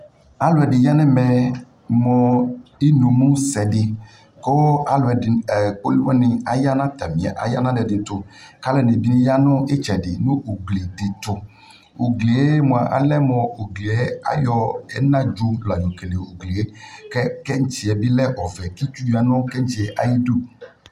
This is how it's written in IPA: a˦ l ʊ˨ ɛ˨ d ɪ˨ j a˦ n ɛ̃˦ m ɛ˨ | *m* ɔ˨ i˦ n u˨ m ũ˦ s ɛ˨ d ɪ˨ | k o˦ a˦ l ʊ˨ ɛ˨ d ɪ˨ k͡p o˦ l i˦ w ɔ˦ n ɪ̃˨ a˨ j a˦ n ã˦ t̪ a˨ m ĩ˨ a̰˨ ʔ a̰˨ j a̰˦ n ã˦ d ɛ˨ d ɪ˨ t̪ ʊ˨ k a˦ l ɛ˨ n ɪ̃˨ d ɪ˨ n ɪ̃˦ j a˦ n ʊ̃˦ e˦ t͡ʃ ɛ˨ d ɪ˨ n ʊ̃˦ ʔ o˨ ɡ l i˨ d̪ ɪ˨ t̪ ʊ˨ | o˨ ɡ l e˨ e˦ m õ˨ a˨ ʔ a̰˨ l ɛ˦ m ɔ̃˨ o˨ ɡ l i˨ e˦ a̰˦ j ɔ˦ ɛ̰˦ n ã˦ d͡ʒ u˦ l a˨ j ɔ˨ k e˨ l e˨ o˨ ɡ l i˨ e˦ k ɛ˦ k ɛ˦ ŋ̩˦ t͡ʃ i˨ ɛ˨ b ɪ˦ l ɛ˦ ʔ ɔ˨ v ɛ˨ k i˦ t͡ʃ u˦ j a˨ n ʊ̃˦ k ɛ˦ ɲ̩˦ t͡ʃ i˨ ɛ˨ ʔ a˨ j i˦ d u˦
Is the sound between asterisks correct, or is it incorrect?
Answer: correct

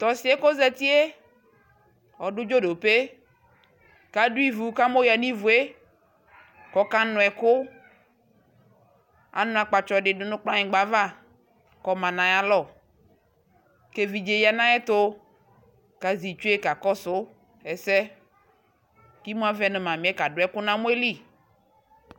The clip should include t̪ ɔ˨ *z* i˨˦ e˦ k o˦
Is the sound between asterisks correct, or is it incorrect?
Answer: incorrect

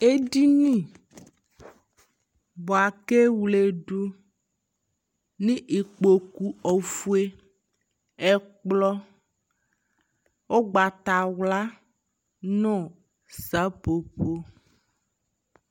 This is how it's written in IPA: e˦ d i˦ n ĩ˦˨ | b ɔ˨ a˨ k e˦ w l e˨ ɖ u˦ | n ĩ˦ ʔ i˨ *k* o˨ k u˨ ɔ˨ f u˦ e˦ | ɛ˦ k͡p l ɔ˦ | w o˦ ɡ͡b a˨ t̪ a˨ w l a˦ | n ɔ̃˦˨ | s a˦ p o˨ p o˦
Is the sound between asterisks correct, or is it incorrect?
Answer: incorrect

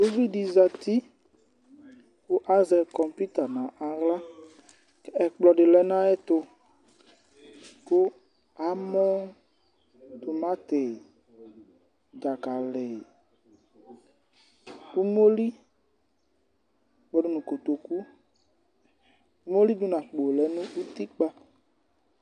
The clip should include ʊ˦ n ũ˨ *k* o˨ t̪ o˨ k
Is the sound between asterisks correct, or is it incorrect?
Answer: correct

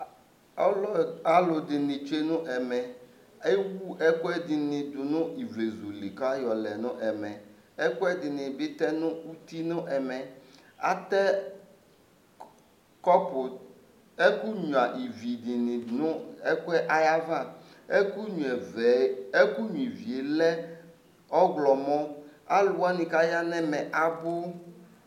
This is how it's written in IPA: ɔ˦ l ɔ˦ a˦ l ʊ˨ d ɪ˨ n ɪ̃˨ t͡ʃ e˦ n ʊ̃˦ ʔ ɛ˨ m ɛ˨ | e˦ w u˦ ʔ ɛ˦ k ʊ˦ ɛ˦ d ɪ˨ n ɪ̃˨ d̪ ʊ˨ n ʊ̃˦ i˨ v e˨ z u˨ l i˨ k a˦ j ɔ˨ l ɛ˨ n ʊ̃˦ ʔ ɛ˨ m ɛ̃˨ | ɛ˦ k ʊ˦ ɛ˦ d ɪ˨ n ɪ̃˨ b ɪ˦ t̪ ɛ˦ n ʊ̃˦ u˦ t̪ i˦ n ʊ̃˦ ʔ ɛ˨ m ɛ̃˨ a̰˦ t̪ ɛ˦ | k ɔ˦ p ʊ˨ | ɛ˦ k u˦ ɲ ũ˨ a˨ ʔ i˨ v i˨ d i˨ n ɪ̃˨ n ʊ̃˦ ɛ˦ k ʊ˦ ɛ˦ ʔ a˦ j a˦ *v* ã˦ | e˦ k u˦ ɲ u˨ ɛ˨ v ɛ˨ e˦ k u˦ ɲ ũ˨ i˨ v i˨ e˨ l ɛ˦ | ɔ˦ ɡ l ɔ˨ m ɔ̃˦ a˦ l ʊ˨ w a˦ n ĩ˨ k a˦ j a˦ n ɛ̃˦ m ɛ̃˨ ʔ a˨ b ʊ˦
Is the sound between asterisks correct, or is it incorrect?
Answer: correct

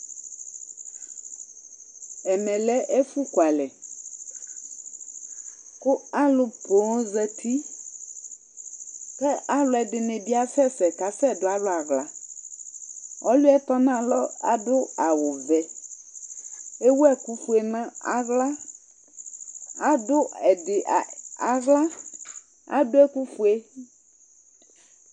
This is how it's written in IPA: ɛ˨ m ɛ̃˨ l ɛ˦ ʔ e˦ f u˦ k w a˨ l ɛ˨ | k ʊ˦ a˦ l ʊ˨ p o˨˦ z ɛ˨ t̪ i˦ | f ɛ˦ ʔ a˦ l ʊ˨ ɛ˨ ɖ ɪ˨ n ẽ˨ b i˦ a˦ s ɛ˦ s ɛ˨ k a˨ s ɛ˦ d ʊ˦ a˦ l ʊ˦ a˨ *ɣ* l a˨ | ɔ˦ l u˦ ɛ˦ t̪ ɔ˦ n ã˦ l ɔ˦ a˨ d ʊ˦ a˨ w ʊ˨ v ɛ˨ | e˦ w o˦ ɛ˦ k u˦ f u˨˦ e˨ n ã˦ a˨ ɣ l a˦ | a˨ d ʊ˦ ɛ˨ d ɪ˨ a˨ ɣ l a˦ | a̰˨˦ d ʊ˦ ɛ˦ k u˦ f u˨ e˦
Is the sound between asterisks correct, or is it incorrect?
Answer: correct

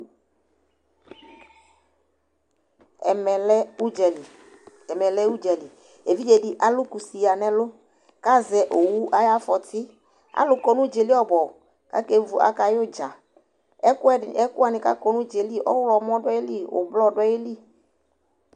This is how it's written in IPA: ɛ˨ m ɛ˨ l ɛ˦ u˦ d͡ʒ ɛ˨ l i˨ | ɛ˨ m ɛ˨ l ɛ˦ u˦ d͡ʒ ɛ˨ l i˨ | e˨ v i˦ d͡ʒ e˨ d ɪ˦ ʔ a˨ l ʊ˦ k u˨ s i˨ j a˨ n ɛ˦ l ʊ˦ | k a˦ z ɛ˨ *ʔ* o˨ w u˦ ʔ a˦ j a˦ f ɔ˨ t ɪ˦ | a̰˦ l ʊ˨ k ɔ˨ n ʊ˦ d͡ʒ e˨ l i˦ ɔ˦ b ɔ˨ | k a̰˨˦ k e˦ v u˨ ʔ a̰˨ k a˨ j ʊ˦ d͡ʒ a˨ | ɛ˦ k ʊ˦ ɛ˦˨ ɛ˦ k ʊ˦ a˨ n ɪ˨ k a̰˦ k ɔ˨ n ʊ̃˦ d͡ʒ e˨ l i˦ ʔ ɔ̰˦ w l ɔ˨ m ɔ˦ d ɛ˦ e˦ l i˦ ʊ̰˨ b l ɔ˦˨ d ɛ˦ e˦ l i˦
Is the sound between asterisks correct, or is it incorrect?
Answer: correct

